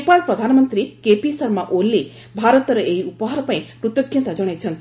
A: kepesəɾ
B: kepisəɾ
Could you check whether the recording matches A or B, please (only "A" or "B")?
B